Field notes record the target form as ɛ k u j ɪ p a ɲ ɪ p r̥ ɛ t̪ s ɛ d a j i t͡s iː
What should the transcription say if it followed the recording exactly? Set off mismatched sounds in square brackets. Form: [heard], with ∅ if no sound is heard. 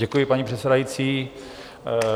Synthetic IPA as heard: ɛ k u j ɪ p a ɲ [i] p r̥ ɛ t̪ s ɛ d a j i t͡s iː